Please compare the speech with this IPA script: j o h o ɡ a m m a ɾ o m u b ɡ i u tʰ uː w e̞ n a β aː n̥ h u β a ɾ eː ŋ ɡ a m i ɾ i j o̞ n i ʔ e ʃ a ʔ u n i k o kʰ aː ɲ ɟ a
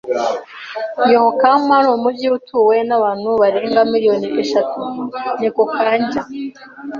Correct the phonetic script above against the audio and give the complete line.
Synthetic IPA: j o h o k a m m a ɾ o m u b ɟ i u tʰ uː w e̞ n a β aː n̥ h u β a ɾ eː ŋ ɡ a m i ɾ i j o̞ n i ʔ e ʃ a t u n i k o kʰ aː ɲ ɟ a